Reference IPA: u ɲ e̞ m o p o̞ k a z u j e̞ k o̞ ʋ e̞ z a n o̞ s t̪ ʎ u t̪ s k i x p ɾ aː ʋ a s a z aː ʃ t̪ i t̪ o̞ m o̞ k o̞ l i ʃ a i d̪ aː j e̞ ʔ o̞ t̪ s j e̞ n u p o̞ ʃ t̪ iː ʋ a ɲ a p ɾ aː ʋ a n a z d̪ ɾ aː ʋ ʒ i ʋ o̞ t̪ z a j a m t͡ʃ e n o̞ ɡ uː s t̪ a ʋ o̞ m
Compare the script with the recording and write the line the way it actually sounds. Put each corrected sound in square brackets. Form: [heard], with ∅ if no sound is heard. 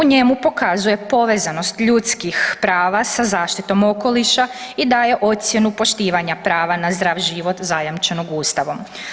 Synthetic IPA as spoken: u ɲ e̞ m [u] p o̞ k a z u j e̞ [p] o̞ ʋ e̞ z a n o̞ s t̪ ʎ u t̪ s k i x p ɾ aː ʋ a s a z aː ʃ t̪ i t̪ o̞ m o̞ k o̞ l i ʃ a i d̪ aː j e̞ ʔ o̞ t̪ s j e̞ n u p o̞ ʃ t̪ iː ʋ a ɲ a p ɾ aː ʋ a n a z d̪ ɾ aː ʋ ʒ i ʋ o̞ t̪ z a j a m t͡ʃ e n o̞ ɡ uː s t̪ a ʋ o̞ m